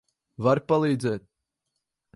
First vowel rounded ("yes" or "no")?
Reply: no